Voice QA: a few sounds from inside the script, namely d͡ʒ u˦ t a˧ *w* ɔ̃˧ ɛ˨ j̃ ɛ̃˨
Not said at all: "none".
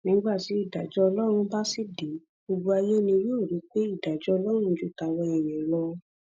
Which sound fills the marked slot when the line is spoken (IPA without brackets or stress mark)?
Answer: w